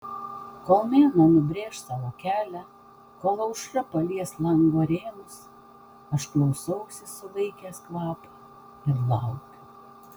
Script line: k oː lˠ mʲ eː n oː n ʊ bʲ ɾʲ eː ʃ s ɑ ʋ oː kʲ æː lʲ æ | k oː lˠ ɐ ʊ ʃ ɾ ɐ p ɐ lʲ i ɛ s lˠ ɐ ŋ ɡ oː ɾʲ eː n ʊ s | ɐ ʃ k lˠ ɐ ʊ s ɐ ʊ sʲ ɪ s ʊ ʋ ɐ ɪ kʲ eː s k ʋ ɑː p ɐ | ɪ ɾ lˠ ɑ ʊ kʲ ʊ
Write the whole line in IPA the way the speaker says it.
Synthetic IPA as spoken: k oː lˠ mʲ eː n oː n ʊ bʲ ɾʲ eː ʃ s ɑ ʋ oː kʲ æː lʲ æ | k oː lˠ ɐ ʊ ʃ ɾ ɐ p ɐ lʲ i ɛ s lˠ ɐ ŋ ɡ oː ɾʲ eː n ʊ s | ɐ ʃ k lˠ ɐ ʊ s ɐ ʊ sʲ ɪ s ʊ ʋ ɐ ɪ kʲ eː s k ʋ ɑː p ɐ | ɪ ɾ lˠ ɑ ʊ kʲ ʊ